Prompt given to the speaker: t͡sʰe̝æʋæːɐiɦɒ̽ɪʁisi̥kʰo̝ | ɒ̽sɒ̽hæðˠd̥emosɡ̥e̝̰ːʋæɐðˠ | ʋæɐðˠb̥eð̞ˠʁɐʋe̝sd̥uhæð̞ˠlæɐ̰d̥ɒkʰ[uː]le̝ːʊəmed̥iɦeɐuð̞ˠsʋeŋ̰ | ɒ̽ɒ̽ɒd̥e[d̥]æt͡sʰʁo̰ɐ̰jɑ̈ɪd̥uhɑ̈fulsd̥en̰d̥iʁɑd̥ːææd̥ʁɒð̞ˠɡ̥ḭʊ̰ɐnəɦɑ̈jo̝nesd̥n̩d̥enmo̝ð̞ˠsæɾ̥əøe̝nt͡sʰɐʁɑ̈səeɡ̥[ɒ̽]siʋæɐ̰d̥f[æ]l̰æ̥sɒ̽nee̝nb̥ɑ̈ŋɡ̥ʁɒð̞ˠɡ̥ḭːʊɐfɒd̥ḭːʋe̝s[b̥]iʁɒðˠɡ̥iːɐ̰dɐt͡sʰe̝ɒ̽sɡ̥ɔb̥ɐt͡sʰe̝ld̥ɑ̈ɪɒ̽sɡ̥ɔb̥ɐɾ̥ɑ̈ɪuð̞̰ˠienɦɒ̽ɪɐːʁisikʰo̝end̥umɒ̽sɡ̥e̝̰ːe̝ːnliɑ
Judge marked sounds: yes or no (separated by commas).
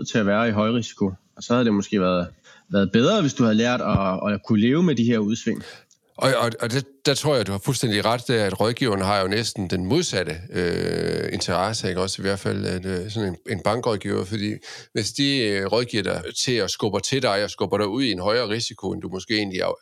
no, yes, yes, yes, no